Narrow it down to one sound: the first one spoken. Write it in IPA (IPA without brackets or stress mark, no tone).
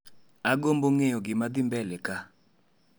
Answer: a